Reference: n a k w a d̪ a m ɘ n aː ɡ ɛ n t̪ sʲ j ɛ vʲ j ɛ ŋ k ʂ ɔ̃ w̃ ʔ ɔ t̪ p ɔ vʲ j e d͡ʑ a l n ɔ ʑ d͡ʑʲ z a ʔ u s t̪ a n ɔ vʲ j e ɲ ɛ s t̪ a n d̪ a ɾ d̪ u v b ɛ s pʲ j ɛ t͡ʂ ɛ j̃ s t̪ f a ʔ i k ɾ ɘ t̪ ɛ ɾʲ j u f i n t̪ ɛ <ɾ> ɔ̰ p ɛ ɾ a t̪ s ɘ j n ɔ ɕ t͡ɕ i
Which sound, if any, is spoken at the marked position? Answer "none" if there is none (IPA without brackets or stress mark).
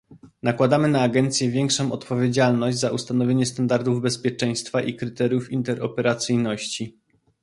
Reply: ɾ